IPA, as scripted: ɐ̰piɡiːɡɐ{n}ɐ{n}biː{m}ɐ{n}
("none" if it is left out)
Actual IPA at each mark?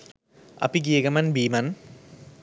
m, n, m, n

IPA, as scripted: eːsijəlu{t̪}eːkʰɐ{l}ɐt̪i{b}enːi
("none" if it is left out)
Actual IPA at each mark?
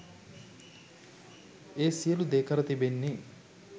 d̪, ɾ, b

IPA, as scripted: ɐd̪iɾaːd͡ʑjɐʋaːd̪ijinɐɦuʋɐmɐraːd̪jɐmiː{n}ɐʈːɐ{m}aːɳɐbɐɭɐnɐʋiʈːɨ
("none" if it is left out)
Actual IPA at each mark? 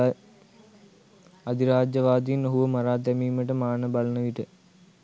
m, m

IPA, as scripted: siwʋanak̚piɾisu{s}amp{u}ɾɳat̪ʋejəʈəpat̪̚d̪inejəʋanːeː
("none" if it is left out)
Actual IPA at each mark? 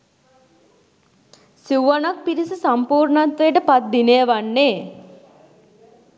s, uː

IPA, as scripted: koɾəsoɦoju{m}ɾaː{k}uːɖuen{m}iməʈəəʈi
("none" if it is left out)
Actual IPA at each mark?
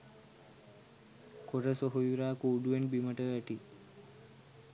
none, k, b

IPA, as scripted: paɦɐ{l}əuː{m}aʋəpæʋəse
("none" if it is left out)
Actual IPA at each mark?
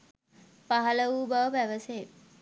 l, b

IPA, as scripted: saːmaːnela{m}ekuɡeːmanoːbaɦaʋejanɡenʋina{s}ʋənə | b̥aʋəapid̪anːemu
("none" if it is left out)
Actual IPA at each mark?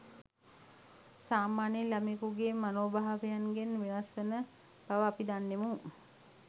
m, s

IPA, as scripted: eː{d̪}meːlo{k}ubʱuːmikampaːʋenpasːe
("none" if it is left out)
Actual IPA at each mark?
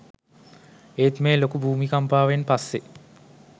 t̪, k

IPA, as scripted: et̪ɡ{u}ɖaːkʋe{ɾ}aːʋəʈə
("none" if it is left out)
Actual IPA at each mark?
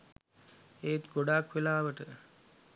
o, l

